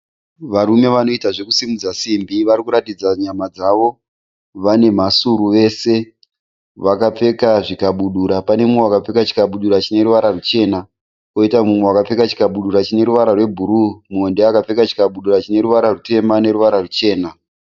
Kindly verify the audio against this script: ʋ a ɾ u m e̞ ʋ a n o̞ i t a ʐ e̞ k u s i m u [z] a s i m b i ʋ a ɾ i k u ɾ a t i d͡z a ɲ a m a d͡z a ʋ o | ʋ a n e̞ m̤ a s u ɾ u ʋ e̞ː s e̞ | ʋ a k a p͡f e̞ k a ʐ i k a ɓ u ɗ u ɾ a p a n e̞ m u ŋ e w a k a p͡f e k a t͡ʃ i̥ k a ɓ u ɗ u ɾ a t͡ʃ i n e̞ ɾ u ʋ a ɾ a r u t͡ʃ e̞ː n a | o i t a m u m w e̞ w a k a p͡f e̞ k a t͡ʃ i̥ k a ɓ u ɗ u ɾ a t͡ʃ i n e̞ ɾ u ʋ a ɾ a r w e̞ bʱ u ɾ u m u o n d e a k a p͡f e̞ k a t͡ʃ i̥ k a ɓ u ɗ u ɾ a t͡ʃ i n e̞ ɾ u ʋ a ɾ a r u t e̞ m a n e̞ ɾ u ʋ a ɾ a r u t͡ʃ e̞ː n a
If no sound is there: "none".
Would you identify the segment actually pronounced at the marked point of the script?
d͡z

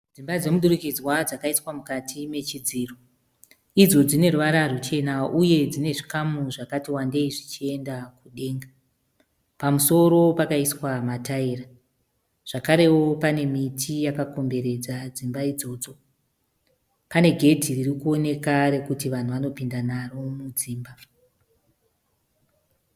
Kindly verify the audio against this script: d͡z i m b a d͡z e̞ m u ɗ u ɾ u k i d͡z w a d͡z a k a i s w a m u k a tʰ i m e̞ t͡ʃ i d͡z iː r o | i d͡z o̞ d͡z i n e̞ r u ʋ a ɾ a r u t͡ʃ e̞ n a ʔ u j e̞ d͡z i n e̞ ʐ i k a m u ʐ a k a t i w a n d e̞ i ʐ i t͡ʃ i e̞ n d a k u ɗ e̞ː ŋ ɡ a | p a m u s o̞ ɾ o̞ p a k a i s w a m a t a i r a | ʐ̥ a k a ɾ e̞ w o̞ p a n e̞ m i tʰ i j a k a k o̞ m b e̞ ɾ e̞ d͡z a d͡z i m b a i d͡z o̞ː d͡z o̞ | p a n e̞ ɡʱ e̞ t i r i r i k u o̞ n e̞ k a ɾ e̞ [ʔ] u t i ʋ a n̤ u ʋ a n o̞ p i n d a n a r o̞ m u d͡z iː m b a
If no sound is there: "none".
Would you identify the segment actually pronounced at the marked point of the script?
k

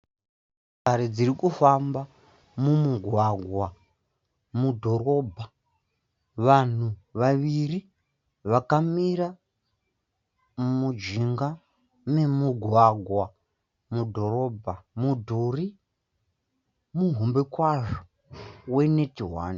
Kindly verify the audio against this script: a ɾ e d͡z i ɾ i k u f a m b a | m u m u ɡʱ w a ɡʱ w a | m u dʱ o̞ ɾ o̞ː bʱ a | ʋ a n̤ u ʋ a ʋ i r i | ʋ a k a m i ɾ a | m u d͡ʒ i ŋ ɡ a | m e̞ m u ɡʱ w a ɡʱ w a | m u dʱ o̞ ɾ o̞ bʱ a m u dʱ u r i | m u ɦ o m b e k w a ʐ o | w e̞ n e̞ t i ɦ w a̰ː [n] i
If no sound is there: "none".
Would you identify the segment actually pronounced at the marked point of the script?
n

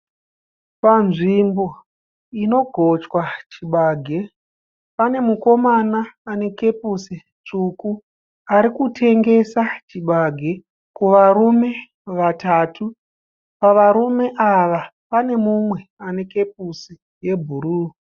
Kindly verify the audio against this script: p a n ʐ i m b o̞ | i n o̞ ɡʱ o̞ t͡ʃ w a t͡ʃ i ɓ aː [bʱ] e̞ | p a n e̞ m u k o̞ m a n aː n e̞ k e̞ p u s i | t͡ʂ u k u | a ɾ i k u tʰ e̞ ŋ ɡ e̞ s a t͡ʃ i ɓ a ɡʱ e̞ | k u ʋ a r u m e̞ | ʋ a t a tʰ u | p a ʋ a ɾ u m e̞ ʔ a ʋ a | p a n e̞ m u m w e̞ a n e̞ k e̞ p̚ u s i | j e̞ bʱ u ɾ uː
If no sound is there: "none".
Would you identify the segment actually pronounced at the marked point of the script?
ɡʱ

